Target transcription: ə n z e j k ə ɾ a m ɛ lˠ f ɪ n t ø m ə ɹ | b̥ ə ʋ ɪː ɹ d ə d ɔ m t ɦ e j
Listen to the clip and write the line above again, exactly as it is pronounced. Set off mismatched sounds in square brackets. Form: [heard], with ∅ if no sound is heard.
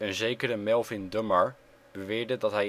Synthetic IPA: ə n z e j k ə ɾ [ə] m ɛ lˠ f ɪ n [d] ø m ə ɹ | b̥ ə ʋ ɪː ɹ d ə d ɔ [∅] t ɦ [ɛ] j